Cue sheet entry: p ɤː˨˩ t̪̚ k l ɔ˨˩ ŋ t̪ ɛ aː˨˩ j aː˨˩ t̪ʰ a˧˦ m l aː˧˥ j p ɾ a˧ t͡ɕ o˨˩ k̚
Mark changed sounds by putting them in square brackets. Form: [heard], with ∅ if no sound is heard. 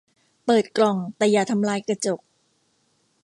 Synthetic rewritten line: p ɤː˨˩ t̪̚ k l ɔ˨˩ ŋ t̪ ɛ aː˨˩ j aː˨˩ t̪ʰ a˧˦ m l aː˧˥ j [k] ɾ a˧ t͡ɕ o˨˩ k̚